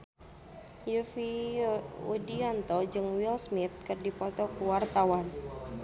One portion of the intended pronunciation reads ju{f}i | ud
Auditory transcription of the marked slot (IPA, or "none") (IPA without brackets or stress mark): f